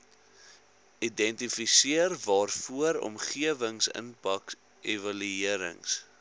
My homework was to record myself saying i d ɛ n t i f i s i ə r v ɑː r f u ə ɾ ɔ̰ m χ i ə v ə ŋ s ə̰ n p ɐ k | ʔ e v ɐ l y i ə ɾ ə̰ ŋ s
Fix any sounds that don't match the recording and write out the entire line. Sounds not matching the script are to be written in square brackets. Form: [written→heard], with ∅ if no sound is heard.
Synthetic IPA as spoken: i d ɛ n t i f i s i ə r v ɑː r f u ə ɾ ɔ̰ m χ i ə v ə ŋ s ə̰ n p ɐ k | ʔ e v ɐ l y i ə ɾ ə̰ ŋ s

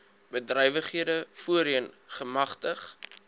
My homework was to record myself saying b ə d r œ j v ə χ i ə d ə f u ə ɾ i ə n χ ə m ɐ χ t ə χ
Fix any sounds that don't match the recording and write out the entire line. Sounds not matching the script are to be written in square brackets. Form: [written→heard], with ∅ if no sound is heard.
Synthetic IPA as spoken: b ə d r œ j v ə χ i ə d ə f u ə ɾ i ə n χ ə m ɐ χ t ə χ

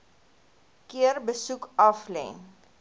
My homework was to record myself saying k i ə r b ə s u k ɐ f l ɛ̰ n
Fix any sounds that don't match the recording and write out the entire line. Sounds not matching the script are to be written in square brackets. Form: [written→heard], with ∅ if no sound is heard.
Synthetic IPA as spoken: k i ə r b ə s u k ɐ f l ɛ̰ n

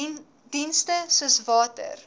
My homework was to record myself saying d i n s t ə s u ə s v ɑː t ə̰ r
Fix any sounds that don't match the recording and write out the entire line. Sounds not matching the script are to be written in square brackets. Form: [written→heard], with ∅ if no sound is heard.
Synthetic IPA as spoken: d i n s t ə s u ə s v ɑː t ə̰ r

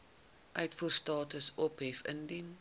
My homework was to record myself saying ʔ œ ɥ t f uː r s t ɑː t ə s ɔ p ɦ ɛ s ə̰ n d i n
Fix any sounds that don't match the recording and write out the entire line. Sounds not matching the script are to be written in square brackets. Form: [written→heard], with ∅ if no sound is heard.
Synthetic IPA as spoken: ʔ œ ɥ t f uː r s t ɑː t ə s ɔ p ɦ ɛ [s→f] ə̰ n d i n

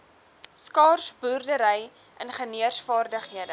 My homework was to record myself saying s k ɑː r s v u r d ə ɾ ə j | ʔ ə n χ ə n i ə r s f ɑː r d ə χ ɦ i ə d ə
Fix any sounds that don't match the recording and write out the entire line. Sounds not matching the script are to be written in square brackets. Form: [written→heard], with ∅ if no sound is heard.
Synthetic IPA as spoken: s k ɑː r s [v→b] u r d ə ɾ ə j | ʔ ə n χ ə n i ə r s f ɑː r d ə χ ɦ i ə d ə

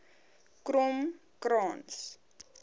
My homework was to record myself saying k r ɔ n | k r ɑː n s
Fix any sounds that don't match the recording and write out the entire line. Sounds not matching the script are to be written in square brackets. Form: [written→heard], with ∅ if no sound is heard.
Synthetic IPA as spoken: k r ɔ [n→m] | k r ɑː n s

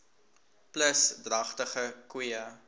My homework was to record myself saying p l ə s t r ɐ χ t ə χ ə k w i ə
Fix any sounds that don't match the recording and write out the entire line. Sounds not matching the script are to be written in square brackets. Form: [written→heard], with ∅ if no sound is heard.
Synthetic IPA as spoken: p l ə s [t→d] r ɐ χ t ə χ ə k w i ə

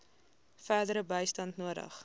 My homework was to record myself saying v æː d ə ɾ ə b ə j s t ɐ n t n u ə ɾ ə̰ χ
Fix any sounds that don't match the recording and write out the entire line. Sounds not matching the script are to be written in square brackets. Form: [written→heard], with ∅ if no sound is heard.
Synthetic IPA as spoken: [v→f] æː d ə ɾ ə b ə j s t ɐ n t n u ə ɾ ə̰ χ

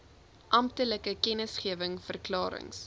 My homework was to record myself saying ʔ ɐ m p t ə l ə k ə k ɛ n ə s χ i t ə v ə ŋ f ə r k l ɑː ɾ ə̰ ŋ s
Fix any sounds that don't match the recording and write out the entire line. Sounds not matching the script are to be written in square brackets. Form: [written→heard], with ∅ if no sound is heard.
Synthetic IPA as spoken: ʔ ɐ m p t ə l ə k ə k ɛ n ə s χ i [t→∅] ə v ə ŋ f ə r k l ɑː ɾ ə̰ ŋ s

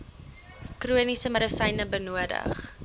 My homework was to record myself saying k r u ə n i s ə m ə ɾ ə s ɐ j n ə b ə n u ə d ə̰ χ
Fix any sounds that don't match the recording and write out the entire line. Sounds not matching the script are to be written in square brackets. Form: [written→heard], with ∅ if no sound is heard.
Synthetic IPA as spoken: k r u ə n i s ə m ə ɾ ə s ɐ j n ə b ə n u ə d ə̰ χ

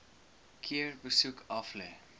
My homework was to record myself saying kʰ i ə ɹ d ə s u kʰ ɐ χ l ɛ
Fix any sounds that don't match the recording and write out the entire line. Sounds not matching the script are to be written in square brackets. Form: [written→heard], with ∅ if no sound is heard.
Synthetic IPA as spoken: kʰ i ə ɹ [d→b] ə s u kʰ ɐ [χ→f] l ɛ

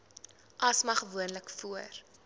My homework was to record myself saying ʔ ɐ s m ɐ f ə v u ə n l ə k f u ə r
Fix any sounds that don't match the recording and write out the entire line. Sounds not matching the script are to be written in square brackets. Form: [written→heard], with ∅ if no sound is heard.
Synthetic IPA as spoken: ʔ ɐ s m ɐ [f→χ] ə v u ə n l ə k f u ə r

